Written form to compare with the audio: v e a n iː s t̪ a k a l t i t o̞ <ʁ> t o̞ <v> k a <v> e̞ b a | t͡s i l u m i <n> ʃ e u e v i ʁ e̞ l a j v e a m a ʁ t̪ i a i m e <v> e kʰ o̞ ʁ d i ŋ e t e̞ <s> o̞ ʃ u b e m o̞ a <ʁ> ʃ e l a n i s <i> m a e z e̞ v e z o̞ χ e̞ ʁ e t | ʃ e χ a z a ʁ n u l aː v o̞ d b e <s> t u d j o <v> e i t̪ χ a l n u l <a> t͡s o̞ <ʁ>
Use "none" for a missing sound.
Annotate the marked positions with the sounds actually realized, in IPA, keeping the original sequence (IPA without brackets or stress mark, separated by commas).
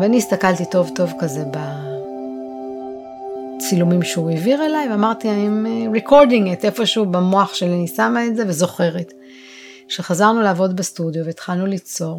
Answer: v, v, z, m, ʁ, f, χ, a, s, v, i, ʁ